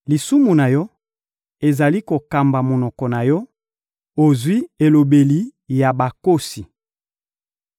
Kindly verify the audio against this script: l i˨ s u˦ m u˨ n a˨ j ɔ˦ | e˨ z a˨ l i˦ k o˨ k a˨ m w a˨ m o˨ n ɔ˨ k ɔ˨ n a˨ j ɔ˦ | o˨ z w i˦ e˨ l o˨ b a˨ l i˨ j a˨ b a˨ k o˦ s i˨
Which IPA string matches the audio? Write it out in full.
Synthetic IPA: l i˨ s u˦ m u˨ n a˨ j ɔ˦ | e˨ z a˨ l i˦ k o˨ k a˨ m b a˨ m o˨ n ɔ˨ k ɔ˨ n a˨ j ɔ˦ | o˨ z w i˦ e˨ l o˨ b e˨ l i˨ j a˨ b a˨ k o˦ s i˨